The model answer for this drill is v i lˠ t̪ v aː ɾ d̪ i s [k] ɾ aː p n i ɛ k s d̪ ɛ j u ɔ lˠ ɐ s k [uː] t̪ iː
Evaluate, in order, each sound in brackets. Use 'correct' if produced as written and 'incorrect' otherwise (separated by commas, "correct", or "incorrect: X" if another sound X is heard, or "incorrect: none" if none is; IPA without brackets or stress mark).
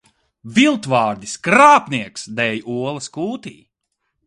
correct, correct